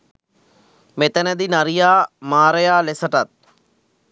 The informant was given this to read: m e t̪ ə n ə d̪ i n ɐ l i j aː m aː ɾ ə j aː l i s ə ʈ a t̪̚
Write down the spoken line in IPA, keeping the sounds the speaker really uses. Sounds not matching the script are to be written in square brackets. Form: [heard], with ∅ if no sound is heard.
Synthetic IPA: m e t̪ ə n ə d̪ i n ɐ [ɾ] i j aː m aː ɾ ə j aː l [e] s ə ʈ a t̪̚